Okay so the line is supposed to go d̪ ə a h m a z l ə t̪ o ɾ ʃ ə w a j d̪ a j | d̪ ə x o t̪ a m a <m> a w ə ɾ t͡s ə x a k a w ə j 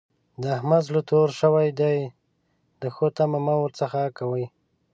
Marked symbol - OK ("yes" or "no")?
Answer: yes